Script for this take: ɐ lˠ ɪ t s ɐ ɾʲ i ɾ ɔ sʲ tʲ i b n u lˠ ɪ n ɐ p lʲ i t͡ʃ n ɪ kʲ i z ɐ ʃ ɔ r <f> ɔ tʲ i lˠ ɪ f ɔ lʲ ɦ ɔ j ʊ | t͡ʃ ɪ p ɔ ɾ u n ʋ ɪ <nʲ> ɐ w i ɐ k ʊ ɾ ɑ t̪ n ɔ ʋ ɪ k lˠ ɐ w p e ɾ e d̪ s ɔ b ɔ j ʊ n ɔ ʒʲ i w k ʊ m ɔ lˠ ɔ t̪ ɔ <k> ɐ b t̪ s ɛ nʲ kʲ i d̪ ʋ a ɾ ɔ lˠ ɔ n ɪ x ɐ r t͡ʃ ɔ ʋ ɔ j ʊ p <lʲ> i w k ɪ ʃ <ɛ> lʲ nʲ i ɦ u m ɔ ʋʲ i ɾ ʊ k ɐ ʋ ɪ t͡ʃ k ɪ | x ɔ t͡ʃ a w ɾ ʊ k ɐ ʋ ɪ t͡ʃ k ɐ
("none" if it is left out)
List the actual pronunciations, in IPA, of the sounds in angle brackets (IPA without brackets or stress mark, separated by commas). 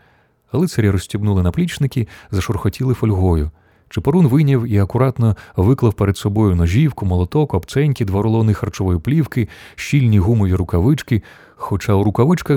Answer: x, nʲ, k, lʲ, i